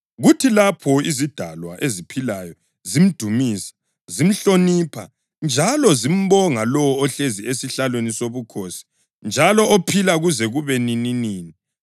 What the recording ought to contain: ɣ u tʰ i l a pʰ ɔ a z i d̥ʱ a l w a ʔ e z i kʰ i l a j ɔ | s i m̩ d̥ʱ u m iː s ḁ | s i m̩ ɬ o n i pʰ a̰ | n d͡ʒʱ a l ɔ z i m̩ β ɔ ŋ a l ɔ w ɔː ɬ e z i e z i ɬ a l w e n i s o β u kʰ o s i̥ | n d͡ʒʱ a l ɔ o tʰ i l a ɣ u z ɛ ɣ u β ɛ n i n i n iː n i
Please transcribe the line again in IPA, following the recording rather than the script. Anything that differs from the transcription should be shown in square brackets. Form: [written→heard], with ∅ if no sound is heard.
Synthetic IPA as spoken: ɣ u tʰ i l a pʰ ɔ [a→i] z i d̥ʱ a l w a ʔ e z i [kʰ→pʰ] i l a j ɔ | [s→z] i m̩ d̥ʱ u m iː s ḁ | [s→z] i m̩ ɬ o n i pʰ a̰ | n d͡ʒʱ a l ɔ z i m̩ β ɔ ŋ a l ɔ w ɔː ɬ e z i e [z→s] i ɬ a l w e n i s o β u kʰ o s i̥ | n d͡ʒʱ a l ɔ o [tʰ→pʰ] i l a ɣ u z ɛ ɣ u β ɛ n i n i n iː n i

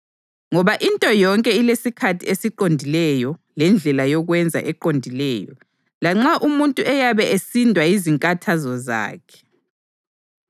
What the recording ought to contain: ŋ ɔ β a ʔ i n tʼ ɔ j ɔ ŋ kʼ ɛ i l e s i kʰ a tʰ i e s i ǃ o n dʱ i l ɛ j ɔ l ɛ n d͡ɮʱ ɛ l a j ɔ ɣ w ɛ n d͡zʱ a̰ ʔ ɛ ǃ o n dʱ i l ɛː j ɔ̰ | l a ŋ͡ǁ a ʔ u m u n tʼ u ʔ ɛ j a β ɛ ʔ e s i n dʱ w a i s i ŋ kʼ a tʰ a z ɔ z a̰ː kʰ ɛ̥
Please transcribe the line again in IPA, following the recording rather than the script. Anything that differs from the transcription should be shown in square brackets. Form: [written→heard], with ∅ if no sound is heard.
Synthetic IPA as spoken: ŋ ɔ β a ʔ i n tʼ ɔ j ɔ ŋ kʼ ɛ i l e s i kʰ a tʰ i e s i ǃ o n dʱ i l ɛ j ɔ l ɛ n d͡ɮʱ ɛ l a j ɔ ɣ w ɛ n d͡zʱ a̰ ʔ ɛ ǃ o n dʱ i l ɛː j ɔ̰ | l a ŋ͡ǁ a ʔ u m u n tʼ u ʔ ɛ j a β ɛ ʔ e s i n dʱ w a i [s→z] i ŋ kʼ a tʰ a z ɔ z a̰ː kʰ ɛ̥

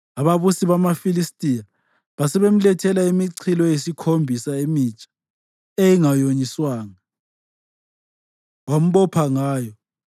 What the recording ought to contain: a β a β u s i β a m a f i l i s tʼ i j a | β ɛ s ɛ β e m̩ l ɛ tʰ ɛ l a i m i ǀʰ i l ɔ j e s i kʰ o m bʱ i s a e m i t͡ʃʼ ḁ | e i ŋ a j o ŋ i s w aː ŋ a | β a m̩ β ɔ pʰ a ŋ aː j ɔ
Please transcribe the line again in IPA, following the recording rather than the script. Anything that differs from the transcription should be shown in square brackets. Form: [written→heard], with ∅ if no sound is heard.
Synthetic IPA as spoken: a β a β u s i β a m a f i l i s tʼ i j a | β [ɛ→a] s ɛ β e m̩ l ɛ tʰ ɛ l a i m i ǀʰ i l ɔ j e s i kʰ o m bʱ i s a e m i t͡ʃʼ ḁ | e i ŋ a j o [ŋ→ɲ] i s w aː ŋ a | [β→w] a m̩ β ɔ pʰ a ŋ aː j ɔ

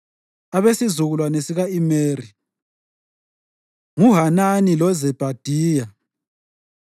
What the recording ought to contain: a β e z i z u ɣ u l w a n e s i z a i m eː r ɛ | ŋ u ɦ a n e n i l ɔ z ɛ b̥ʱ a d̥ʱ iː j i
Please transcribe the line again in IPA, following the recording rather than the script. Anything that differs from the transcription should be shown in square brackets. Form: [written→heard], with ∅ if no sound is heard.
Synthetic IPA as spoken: a β e [z→s] i z u ɣ u l w a n e s i [z→ɣ] a i m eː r [ɛ→i] | ŋ u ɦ a n [e→a] n i l ɔ z ɛ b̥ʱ a d̥ʱ iː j [i→a]

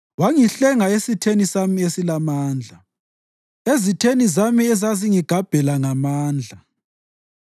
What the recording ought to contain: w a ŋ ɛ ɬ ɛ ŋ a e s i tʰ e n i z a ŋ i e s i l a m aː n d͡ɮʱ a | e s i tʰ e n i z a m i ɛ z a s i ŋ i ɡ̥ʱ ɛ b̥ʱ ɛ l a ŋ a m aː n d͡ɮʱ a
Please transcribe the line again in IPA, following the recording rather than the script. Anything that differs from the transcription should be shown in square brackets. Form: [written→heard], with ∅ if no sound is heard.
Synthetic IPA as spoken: w a ŋ [ɛ→i] ɬ ɛ ŋ a e s i tʰ e n i [z→s] a [ŋ→m] i e s i l a m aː n d͡ɮʱ a | e [s→z] i tʰ e n i z a m i ɛ z a [s→z] i ŋ i ɡ̥ʱ [ɛ→a] b̥ʱ ɛ l a ŋ a m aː n d͡ɮʱ a

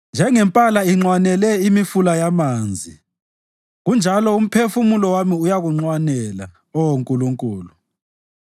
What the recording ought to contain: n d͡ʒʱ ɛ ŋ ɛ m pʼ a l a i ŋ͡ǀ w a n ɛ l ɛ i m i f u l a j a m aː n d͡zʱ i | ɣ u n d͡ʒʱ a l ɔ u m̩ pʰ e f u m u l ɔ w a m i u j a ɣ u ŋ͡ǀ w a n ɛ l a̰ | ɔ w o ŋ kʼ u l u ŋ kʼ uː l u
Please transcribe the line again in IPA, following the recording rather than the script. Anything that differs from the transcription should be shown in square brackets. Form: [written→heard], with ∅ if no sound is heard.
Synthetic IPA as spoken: n d͡ʒʱ ɛ ŋ ɛ m pʼ a l a i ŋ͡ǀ w a n ɛ l ɛ i m i f u l a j a m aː n d͡zʱ i | ɣ u n d͡ʒʱ a l ɔ u m̩ pʰ e f u m u l ɔ w a m i u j a ɣ u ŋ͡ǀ w a n ɛ l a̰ | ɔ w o ŋ kʼ u l u ŋ kʼ uː l u

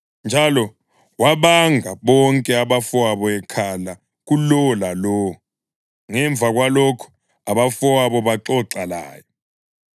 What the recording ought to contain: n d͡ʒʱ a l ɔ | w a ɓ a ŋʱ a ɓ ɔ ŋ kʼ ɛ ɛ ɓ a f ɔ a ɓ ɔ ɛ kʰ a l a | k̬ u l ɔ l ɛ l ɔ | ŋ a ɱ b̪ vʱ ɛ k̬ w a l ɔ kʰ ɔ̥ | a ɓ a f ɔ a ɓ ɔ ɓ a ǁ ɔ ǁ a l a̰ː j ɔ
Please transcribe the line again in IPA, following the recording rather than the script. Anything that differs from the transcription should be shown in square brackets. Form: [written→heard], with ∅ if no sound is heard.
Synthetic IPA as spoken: n d͡ʒʱ a l ɔ | w a ɓ a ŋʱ a ɓ ɔ ŋ kʼ ɛ [ɛ→a] ɓ a f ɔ a ɓ ɔ ɛ kʰ a l a | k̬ u l ɔ l [ɛ→a] l ɔ | ŋ [a→ɛ] ɱ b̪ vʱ [ɛ→a] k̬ w a l ɔ kʰ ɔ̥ | a ɓ a f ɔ a ɓ ɔ ɓ a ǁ ɔ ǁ a l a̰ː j ɔ

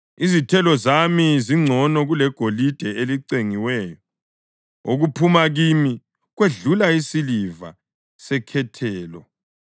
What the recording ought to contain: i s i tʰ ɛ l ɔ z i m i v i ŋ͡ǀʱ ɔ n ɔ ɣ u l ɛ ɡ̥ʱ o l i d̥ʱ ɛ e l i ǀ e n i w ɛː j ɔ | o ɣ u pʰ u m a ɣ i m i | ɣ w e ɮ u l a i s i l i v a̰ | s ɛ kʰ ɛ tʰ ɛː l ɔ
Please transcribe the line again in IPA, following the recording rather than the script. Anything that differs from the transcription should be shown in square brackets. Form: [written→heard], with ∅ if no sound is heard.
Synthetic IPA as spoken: i [s→z] i tʰ ɛ l ɔ z [i→a] m i [v→z] i ŋ͡ǀʱ ɔ n ɔ ɣ u l ɛ ɡ̥ʱ o l i d̥ʱ ɛ e l i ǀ e [n→ŋ] i w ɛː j ɔ | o ɣ u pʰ u m a ɣ i m i | ɣ w e ɮ u l a i s i l i v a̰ | s ɛ kʰ ɛ tʰ ɛː l ɔ

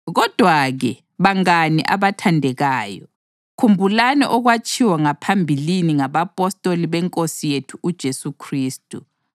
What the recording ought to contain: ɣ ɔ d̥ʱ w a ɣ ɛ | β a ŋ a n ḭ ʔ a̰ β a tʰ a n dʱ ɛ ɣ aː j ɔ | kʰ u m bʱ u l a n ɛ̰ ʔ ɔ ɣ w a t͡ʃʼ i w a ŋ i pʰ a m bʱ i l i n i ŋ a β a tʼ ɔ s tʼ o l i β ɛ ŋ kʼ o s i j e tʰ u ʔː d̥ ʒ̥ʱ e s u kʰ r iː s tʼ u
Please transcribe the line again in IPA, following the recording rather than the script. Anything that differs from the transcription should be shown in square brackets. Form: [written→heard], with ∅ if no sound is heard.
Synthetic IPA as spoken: ɣ ɔ d̥ʱ w a ɣ ɛ | β a ŋ a n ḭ ʔ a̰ β a tʰ a n dʱ ɛ ɣ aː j ɔ | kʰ u m bʱ u l a n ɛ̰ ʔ ɔ ɣ w a t͡ʃʼ i w a ŋ [i→a] pʰ a m bʱ i l i n i ŋ a β a [tʼ→pʼ] ɔ s tʼ o l i β ɛ ŋ kʼ o s i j e tʰ u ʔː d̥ ʒ̥ʱ e s u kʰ r iː s tʼ u

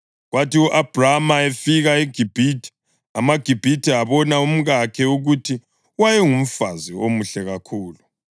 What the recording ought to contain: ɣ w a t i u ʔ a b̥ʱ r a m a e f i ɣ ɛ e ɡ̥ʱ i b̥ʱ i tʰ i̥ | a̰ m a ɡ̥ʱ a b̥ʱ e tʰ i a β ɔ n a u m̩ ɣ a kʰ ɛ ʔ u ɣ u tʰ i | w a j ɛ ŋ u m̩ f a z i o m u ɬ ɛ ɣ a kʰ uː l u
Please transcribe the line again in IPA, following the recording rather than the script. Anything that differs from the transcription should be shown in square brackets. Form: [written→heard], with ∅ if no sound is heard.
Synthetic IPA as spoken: ɣ w a t i u ʔ a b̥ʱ r a m a e f i ɣ [ɛ→a] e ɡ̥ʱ i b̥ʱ i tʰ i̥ | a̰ m a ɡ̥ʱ [a→i] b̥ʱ [e→i] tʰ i a β ɔ n a u m̩ ɣ a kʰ ɛ [ʔ→∅] u ɣ u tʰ i | w a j ɛ ŋ u m̩ f a z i o m u ɬ ɛ ɣ a kʰ uː l u

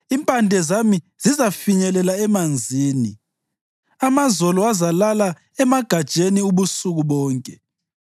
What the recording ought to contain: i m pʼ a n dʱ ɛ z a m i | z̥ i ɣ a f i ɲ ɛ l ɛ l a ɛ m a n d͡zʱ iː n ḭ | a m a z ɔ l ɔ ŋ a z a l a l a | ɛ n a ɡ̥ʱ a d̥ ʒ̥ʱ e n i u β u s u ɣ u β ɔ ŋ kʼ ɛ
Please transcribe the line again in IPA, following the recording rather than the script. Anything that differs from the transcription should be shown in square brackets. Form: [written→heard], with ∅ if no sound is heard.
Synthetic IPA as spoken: i m pʼ a n dʱ ɛ z a m i | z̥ i [ɣ→z] a f i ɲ ɛ l ɛ l a ɛ m a n d͡zʱ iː n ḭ | a m a z ɔ l ɔ [ŋ→∅] a z a l a l a | ɛ [n→m] a ɡ̥ʱ a d̥ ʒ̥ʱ e n i u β u s u ɣ u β [ɔ→ɔː] ŋ kʼ ɛ

